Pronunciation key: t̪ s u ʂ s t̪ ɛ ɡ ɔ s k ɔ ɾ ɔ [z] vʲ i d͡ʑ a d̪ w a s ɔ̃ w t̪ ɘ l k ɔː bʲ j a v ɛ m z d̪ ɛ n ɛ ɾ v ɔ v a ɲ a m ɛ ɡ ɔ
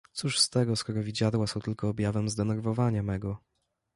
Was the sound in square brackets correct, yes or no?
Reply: no